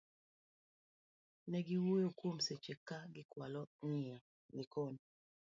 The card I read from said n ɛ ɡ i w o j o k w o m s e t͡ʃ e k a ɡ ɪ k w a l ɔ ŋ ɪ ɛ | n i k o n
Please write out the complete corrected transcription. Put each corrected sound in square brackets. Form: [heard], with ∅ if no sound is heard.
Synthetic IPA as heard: n ɛ ɡ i w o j o k w o m s e t͡ʃ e k a ɡ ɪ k w a l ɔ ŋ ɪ [a] | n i k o n